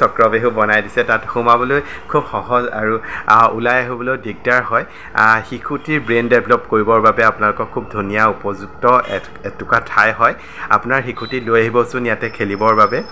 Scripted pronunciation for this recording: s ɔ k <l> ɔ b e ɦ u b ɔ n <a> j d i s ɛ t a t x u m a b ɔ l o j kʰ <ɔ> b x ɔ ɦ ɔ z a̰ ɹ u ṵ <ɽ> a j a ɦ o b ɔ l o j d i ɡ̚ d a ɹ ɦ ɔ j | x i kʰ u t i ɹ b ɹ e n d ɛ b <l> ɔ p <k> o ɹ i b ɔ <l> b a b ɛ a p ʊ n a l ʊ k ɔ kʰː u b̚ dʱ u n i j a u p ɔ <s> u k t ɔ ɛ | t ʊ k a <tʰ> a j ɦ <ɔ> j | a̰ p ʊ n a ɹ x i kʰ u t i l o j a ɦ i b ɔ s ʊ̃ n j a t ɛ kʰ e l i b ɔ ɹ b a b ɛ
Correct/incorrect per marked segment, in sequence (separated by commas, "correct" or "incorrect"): incorrect, correct, incorrect, incorrect, correct, correct, incorrect, incorrect, correct, correct